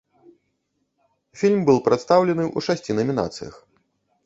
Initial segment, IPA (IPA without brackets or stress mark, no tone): fʲ